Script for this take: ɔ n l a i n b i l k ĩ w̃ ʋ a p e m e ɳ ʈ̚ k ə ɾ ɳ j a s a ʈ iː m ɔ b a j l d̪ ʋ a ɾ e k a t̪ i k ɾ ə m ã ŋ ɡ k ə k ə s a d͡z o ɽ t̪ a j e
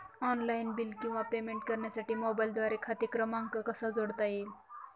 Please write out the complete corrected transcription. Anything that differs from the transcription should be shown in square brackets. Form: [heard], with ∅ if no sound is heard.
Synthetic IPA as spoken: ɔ n l a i n b i l k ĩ w̃ ʋ a p e m e ɳ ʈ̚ k ə ɾ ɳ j a s a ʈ iː m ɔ b a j l d̪ ʋ a ɾ e [kʰ] a t̪ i k ɾ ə m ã ŋ ɡ k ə k ə s a d͡z o ɽ t̪ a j e